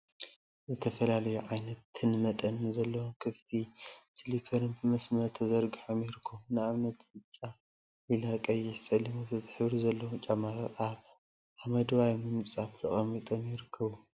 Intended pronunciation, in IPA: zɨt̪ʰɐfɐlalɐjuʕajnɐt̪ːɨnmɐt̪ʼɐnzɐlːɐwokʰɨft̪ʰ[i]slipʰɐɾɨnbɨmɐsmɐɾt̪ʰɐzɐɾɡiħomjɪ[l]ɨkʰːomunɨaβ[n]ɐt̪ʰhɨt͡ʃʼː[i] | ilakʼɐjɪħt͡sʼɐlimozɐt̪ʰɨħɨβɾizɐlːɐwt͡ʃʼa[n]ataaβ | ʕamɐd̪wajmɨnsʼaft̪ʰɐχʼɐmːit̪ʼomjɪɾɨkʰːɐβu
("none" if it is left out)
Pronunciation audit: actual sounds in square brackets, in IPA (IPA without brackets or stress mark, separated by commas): i, ɾ, n, a, m